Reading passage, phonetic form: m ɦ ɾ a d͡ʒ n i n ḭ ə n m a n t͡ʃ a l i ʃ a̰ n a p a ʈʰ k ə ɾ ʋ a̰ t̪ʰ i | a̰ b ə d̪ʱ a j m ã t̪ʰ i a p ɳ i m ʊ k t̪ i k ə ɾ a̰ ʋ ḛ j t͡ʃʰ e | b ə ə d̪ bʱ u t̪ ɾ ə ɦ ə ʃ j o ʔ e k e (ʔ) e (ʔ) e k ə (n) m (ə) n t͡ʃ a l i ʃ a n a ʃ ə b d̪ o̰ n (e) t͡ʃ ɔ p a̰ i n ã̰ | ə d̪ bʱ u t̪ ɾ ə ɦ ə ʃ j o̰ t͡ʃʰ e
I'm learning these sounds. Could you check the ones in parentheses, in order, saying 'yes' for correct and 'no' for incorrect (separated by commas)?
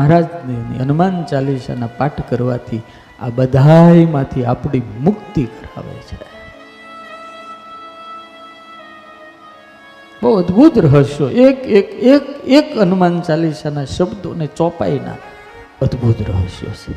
no, no, yes, no, yes